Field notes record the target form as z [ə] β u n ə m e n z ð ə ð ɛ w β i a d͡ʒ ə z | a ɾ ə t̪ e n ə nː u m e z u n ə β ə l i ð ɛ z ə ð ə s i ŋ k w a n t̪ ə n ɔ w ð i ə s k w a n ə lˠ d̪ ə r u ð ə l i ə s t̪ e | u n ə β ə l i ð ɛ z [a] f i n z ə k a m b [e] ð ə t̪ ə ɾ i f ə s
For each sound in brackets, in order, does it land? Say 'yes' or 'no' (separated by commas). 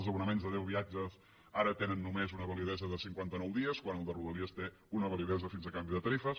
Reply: yes, no, no